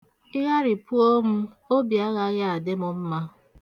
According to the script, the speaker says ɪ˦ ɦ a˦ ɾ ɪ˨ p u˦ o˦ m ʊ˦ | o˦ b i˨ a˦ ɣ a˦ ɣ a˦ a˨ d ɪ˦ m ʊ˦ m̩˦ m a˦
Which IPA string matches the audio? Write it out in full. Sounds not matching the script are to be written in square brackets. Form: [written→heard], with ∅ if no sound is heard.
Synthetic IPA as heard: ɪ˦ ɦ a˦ ɾ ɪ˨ p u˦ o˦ m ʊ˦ | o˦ b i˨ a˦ ɣ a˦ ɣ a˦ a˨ d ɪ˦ m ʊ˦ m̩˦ m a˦